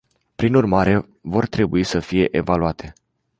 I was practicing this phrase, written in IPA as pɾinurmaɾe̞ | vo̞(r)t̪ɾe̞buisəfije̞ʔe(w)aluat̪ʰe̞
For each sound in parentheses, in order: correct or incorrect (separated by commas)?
correct, incorrect